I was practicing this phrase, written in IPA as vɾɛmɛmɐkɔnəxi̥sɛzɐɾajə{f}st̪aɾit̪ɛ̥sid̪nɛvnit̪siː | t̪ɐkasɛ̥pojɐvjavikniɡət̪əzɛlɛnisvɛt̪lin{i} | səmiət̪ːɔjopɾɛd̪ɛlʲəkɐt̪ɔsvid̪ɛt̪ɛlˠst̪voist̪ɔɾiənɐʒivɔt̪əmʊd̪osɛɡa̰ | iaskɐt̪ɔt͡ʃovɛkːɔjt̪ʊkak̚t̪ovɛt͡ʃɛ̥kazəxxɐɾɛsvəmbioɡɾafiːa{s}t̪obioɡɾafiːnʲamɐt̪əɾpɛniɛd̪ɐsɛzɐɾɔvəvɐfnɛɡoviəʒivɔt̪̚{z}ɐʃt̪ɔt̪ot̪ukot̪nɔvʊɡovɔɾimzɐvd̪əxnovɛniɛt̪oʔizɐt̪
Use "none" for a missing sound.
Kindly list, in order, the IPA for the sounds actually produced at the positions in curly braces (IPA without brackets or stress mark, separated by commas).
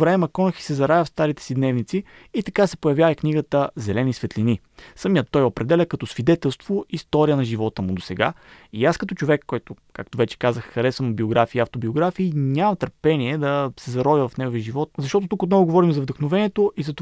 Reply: f, i, f, z